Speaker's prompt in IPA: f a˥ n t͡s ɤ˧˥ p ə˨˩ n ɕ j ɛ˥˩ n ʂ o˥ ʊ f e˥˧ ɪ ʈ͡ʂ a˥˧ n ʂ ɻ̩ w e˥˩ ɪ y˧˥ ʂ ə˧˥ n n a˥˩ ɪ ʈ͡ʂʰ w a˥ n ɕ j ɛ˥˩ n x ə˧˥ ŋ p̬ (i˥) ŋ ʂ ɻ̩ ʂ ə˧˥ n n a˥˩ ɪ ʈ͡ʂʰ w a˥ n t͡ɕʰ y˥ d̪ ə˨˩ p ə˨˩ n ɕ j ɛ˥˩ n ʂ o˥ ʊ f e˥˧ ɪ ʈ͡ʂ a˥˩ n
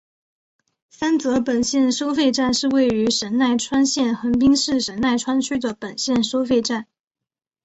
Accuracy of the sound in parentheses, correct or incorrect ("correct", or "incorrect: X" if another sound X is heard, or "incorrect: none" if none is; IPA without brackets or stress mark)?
correct